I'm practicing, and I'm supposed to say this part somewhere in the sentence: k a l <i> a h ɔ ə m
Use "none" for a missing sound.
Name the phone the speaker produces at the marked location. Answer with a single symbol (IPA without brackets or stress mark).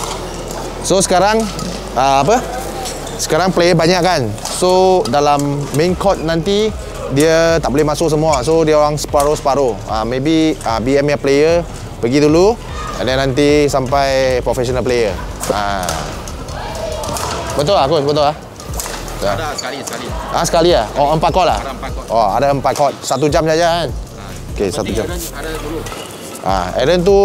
i